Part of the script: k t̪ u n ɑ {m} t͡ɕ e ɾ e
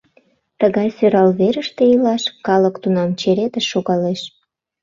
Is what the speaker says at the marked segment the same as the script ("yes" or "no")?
yes